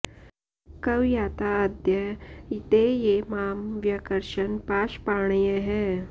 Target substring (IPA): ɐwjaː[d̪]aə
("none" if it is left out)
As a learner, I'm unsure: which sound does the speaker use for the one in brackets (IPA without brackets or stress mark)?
t̪